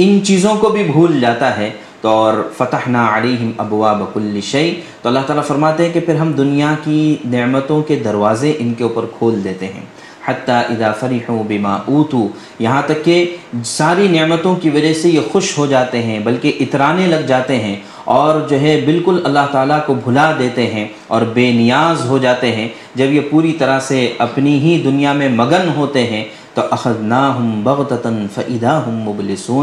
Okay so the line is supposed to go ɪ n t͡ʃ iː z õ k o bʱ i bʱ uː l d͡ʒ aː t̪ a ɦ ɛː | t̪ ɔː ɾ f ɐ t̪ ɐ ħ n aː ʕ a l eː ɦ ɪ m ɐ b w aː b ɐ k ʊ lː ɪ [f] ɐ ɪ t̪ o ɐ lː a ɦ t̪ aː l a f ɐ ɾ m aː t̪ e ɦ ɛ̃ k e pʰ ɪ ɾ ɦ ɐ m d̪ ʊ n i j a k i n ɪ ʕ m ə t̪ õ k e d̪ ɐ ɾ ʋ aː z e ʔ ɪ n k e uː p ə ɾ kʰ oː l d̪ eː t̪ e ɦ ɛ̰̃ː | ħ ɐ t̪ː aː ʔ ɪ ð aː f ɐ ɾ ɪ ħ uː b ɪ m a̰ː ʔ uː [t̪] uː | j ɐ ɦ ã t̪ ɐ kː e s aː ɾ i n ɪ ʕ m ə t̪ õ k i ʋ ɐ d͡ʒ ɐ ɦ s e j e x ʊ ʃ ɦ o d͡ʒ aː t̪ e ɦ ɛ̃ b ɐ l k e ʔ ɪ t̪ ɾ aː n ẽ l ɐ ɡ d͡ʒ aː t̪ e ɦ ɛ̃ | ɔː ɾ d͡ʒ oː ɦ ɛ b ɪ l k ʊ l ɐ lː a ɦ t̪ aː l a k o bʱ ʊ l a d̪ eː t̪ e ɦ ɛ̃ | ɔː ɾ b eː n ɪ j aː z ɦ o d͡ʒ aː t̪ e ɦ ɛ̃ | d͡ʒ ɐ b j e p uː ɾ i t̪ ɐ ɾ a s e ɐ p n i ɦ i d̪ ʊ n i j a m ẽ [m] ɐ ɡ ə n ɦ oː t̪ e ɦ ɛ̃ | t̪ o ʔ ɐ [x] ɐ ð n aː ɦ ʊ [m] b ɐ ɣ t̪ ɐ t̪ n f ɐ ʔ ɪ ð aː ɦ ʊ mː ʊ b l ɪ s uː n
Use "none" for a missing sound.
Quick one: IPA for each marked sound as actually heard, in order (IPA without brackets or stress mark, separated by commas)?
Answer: ʃ, t̪, m, x, m